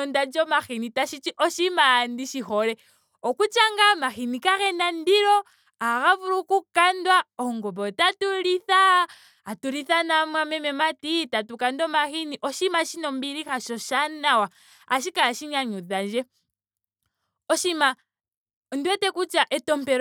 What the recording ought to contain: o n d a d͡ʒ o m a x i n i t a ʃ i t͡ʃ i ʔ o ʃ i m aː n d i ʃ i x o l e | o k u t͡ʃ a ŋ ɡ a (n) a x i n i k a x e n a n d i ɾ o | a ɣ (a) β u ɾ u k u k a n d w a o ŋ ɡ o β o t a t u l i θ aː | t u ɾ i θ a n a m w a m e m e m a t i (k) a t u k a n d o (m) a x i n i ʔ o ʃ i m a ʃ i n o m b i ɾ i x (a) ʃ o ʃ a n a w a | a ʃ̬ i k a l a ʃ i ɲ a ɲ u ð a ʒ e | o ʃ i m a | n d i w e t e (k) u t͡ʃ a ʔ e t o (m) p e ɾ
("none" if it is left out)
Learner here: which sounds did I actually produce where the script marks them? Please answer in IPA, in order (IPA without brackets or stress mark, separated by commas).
m, a, t, m, a, k, m